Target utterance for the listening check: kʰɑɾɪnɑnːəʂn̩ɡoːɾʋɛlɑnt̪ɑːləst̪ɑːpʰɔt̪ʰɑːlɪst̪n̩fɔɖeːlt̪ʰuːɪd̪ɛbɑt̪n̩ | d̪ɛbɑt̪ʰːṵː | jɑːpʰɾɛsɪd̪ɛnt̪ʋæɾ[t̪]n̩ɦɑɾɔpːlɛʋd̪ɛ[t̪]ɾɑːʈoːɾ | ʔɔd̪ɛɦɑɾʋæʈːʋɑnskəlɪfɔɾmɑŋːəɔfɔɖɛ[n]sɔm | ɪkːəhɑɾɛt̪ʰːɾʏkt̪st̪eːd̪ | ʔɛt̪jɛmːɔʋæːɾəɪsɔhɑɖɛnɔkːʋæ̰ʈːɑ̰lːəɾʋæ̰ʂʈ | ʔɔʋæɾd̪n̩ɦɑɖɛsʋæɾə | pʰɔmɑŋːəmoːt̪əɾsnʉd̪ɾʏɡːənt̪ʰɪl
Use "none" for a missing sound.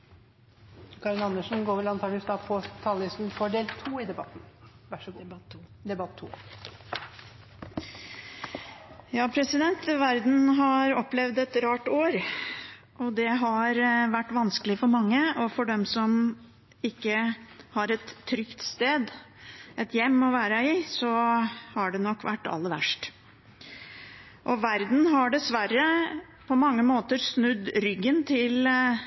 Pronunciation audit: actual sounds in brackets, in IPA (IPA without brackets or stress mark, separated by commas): d̪, t̪, m